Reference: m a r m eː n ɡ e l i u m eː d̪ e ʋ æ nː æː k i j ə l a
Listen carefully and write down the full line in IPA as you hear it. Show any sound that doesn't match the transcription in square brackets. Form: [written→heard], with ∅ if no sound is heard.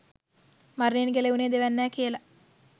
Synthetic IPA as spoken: m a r [m→n] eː n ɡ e l [i→e] u [m→n] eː d̪ e ʋ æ nː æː k i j ə l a